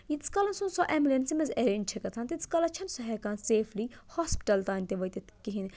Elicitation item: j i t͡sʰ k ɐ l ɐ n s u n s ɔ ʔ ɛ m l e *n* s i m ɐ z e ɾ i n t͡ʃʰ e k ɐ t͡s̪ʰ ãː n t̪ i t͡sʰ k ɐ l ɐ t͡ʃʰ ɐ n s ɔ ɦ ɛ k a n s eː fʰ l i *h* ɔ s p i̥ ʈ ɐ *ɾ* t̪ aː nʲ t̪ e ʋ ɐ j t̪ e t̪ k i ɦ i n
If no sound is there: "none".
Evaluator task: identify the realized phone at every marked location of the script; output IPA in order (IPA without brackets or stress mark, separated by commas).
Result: n, h, l